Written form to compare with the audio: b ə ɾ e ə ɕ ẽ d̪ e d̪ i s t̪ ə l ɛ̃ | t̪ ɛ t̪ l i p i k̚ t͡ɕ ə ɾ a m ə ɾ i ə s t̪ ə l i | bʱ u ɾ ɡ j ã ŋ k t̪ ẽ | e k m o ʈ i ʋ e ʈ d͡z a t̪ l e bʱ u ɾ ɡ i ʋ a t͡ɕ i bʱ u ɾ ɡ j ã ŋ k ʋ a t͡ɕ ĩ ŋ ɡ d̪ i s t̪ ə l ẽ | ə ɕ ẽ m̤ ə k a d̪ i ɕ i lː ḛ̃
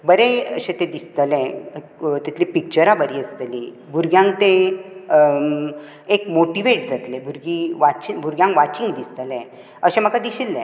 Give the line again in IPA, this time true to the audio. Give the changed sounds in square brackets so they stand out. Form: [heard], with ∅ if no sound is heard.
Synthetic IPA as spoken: b ə ɾ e ə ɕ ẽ [t̪] e d̪ i s t̪ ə l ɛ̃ | t̪ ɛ t̪ l i p i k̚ t͡ɕ ə ɾ a [b] ə ɾ i ə s t̪ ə l i | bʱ u ɾ ɡ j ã ŋ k t̪ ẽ | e k m o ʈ i ʋ e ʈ d͡z a t̪ l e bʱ u ɾ ɡ i ʋ a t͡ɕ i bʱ u ɾ ɡ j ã ŋ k ʋ a t͡ɕ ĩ ŋ ɡ d̪ i s t̪ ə l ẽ | ə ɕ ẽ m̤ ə k a d̪ i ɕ i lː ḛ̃